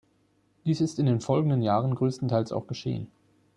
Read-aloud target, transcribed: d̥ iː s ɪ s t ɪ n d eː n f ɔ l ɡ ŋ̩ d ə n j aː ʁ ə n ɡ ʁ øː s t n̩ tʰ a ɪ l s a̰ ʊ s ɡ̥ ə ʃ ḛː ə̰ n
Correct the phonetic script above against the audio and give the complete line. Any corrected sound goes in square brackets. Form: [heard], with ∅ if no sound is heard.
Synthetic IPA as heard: d̥ iː s ɪ s t ɪ n d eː n f ɔ l ɡ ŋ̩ d ə n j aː ʁ ə n ɡ ʁ øː s t n̩ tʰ a ɪ l s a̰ ʊ [x] ɡ̥ ə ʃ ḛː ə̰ n